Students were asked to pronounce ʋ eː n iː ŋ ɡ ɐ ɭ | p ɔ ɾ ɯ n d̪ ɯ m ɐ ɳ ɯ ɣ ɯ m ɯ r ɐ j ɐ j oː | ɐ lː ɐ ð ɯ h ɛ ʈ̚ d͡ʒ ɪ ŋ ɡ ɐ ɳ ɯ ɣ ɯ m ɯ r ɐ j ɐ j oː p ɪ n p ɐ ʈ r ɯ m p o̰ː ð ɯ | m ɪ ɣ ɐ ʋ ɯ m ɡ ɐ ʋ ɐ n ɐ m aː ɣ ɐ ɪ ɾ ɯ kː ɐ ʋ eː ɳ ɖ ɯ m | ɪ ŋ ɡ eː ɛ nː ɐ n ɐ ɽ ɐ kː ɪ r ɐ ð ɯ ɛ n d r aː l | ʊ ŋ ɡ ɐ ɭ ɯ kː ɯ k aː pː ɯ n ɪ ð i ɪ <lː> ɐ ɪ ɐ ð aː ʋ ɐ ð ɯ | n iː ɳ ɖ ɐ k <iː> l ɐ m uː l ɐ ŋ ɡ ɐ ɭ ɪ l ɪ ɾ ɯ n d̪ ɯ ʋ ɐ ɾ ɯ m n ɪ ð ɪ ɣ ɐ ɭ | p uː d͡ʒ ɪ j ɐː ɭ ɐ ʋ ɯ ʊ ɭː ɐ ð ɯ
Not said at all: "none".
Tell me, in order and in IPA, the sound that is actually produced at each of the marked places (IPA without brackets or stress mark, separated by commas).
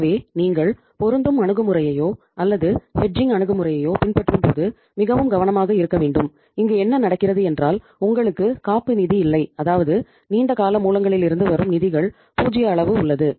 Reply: lː, aː